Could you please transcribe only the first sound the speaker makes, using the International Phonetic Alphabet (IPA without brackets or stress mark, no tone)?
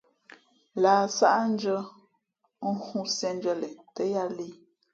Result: l